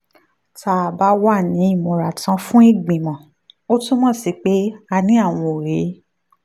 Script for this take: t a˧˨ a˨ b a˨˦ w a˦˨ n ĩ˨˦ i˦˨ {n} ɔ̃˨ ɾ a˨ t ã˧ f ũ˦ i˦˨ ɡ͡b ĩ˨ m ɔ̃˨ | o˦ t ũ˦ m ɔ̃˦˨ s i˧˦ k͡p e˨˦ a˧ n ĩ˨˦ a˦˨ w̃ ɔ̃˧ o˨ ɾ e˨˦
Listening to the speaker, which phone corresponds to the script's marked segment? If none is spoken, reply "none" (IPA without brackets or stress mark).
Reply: m